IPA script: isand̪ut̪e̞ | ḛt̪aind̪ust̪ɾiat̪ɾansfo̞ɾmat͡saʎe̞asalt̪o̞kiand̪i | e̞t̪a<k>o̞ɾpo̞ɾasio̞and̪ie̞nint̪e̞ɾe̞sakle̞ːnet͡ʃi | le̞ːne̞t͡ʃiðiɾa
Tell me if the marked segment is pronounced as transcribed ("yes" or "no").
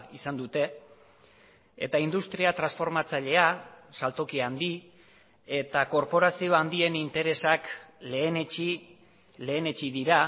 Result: yes